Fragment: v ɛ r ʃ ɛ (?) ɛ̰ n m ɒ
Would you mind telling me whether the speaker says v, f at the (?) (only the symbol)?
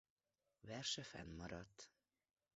f